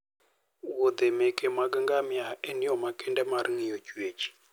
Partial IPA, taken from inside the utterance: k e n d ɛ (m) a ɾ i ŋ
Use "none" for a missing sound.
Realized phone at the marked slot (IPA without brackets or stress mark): m